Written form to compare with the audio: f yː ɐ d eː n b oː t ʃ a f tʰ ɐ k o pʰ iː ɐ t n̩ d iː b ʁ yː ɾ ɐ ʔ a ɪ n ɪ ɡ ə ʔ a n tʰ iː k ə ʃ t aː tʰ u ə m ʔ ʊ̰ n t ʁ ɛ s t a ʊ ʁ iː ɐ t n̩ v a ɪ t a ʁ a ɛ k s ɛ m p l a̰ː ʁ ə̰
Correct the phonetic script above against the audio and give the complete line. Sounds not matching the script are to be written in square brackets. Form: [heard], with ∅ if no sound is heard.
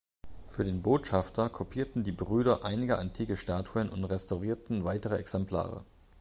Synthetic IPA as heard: f yː ɐ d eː n b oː t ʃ a f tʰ ɐ [kʰ] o pʰ iː ɐ t n̩ d iː b ʁ yː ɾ ɐ ʔ a ɪ n ɪ ɡ ə ʔ a n tʰ iː k ə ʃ t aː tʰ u ə [n] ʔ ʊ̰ n t ʁ ɛ s t a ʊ ʁ iː ɐ t n̩ v a ɪ t [ə] ʁ [ə] ɛ k s ɛ m p l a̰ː ʁ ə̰